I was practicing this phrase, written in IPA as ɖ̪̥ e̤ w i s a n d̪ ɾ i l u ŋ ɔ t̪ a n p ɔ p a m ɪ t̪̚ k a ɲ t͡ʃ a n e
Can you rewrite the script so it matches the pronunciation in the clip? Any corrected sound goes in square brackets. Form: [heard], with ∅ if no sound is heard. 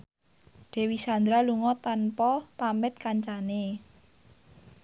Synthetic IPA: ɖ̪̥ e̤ w i s a n d̪ ɾ [a] l u ŋ ɔ t̪ a n p ɔ p a m ɪ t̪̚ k a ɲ t͡ʃ a n e